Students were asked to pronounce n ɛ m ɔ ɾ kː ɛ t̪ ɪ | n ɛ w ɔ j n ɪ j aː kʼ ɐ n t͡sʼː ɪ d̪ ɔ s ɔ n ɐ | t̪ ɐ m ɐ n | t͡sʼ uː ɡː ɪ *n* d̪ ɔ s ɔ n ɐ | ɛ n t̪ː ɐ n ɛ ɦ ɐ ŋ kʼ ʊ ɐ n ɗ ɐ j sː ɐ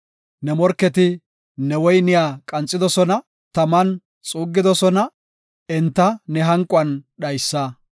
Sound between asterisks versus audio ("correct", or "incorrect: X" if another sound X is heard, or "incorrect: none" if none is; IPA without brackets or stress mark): incorrect: none